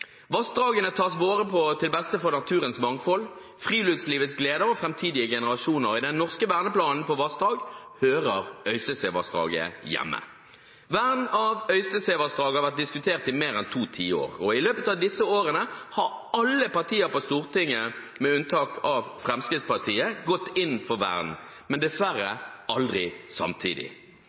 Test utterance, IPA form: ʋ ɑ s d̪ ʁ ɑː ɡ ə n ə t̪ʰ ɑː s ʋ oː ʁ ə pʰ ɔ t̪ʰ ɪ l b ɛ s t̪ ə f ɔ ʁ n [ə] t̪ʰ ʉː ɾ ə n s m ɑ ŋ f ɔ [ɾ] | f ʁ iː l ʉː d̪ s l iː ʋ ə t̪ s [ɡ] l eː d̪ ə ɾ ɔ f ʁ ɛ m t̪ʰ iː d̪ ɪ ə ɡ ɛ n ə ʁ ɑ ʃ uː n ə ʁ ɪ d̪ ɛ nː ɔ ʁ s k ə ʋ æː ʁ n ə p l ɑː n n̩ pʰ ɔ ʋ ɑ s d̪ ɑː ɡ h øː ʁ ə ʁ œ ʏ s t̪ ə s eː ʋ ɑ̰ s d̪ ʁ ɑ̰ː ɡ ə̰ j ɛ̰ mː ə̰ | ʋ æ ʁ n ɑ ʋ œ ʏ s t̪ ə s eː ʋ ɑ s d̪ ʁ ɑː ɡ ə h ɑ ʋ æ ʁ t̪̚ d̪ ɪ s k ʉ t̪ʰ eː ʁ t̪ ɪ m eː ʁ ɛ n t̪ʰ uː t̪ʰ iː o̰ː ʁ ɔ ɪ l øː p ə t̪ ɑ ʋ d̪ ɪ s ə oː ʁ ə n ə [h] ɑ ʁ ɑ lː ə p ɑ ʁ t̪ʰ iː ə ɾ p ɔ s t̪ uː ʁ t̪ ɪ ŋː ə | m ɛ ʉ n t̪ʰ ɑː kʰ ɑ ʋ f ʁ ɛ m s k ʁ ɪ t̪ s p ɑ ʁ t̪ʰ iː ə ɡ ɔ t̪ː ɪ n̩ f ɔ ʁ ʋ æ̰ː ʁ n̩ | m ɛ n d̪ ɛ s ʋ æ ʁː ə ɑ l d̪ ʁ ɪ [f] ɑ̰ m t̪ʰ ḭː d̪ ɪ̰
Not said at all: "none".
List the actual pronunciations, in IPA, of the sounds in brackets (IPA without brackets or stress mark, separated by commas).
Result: ɑ, l, ɡ, h, s